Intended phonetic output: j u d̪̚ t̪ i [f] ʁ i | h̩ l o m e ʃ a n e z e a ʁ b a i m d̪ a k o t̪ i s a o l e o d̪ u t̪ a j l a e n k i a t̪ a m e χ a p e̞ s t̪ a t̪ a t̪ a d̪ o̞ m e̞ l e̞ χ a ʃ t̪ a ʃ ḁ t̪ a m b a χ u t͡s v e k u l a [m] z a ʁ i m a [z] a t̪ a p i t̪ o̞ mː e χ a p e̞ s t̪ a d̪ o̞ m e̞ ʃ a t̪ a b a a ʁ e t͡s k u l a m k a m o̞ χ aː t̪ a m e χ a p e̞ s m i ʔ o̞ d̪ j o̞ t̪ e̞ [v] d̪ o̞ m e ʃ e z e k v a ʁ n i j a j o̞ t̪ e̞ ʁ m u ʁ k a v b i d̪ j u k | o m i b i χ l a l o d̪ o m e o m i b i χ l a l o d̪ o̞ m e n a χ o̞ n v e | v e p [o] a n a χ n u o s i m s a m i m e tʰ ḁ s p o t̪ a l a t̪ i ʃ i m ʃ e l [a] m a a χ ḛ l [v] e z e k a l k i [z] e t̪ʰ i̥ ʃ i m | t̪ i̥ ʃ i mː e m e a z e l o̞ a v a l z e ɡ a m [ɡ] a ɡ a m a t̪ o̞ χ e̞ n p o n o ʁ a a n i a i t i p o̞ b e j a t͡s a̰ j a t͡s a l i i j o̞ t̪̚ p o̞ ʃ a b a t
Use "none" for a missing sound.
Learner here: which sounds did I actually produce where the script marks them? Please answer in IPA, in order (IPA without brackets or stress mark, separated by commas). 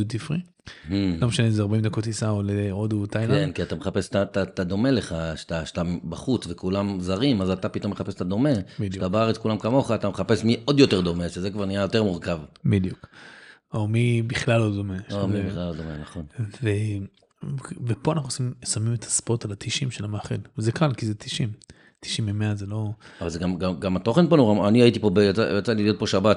f, m, z, ʁ, o, a, v, z, ɡ